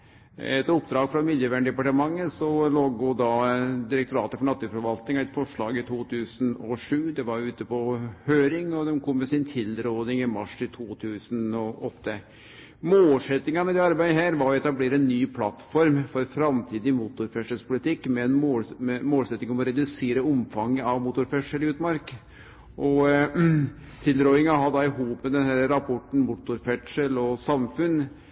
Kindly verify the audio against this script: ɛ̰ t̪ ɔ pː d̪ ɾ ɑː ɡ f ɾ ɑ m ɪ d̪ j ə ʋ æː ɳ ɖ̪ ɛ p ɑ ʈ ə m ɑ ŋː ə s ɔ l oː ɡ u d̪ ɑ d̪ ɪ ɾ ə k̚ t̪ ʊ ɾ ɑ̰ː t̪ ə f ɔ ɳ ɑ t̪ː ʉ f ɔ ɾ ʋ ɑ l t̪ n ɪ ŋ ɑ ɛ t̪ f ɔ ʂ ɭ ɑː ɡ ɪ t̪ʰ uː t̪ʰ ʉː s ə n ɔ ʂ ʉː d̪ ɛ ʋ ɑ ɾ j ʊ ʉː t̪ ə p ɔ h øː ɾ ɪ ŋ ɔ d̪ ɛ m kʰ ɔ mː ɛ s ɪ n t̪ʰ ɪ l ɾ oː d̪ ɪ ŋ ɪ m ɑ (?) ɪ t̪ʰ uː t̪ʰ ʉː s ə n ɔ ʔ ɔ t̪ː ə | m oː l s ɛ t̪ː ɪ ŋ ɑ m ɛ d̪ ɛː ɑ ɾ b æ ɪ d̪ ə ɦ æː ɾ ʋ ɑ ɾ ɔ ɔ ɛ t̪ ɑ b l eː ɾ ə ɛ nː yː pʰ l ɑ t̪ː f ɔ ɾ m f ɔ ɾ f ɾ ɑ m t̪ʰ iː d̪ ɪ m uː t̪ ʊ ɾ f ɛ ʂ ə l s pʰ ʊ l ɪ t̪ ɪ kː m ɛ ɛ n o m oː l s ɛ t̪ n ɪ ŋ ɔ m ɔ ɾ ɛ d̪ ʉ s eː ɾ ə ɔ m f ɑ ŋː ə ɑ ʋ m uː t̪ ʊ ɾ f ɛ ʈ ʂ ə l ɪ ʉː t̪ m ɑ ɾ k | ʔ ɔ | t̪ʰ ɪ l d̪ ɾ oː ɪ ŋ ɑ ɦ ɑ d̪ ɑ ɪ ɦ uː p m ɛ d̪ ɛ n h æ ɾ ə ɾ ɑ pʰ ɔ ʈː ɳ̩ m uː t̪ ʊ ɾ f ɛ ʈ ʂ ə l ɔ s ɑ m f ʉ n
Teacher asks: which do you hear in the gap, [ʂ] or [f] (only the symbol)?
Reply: ʂ